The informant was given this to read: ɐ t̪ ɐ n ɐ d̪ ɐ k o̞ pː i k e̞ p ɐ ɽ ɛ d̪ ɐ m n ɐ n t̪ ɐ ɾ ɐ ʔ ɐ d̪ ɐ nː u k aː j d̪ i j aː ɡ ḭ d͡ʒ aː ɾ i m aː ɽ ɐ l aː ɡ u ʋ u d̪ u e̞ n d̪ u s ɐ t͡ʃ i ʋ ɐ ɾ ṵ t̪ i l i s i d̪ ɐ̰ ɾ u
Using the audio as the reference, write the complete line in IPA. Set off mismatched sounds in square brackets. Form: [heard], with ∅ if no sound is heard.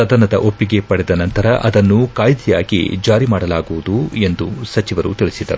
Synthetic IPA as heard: ɐ [d̪] ɐ n ɐ d̪ ɐ [ʔ] o̞ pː i [ɡ] e̞ p ɐ ɽ ɛ d̪ ɐ [∅] n ɐ n t̪ ɐ ɾ ɐ ʔ ɐ d̪ ɐ nː u k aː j d̪ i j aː ɡ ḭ d͡ʒ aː ɾ i m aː ɽ ɐ l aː ɡ u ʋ u d̪ u e̞ n d̪ u s ɐ t͡ʃ i ʋ ɐ ɾ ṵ t̪ i [ɭ] i s i d̪ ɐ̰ ɾ u